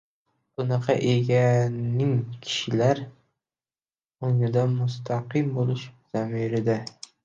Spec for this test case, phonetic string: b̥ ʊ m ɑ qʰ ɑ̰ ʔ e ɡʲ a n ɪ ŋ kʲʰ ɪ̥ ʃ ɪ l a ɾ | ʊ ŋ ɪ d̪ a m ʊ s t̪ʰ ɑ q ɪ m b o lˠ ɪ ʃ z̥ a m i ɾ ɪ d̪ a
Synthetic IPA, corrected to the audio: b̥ ʊ n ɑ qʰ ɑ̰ ʔ e ɡʲ a n ɪ ŋ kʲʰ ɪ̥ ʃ ɪ l a ɾ | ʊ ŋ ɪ d̪ a m ʊ s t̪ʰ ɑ q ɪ m b o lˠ ɪ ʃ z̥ a m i ɾ ɪ d̪ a